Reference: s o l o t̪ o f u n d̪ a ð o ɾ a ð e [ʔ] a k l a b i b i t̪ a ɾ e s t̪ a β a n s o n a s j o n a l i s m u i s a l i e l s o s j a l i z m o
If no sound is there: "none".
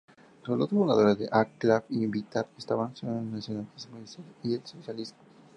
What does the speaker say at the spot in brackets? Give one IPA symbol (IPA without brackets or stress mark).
ʔ